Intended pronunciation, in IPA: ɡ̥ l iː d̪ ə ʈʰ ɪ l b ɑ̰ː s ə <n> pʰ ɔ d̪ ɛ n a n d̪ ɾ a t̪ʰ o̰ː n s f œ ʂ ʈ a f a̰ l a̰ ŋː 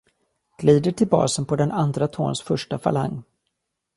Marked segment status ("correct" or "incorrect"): correct